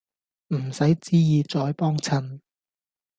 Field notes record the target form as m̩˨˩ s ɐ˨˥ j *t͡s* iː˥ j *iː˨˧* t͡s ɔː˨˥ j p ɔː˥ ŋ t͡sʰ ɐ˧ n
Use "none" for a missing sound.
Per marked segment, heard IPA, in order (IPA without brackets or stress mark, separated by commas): t͡s, iː˨˧